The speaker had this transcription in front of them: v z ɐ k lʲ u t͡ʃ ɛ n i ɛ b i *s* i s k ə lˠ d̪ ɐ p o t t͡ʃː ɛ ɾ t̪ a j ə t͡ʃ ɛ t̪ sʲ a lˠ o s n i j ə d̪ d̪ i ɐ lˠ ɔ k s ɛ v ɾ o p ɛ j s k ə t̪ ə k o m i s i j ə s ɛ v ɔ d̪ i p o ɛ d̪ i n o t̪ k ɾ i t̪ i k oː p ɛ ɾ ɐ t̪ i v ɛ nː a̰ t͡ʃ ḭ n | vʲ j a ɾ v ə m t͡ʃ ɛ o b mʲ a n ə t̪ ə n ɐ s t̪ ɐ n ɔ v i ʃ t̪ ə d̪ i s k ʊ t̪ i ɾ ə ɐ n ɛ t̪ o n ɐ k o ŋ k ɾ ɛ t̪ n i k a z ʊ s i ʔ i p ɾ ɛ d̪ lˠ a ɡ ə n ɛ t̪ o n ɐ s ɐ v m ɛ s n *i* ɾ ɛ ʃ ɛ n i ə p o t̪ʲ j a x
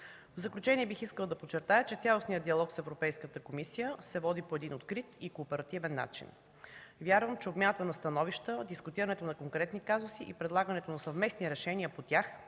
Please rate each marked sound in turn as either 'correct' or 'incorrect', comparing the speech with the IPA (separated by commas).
incorrect, correct